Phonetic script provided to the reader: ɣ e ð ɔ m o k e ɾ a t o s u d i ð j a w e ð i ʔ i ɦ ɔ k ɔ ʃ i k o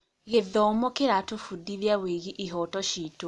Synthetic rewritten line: ɣ e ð ɔ m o k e ɾ a t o f u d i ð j a w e ɣ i ʔ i ɦ ɔ t ɔ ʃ i t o